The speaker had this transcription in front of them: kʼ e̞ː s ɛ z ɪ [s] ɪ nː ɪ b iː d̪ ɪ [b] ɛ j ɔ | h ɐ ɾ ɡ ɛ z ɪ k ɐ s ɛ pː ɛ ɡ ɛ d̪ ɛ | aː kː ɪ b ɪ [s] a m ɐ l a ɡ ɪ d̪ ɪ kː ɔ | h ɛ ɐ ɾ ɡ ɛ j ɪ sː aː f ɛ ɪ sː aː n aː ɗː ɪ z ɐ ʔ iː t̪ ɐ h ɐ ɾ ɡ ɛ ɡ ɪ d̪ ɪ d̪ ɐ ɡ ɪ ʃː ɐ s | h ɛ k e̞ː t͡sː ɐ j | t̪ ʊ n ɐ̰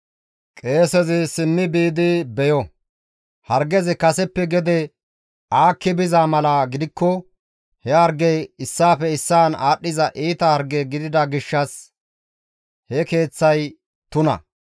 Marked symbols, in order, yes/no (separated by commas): yes, yes, no